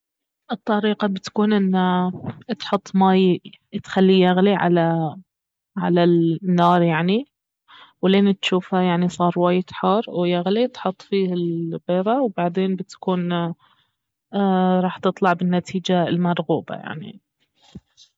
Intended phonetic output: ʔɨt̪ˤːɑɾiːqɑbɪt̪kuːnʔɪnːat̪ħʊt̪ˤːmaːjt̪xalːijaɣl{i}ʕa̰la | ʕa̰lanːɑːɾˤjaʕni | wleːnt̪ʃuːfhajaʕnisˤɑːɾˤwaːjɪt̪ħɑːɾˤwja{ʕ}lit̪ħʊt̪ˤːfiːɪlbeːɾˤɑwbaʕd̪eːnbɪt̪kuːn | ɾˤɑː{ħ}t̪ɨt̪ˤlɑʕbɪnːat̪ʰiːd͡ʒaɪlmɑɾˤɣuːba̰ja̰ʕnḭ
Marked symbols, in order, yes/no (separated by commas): yes, no, yes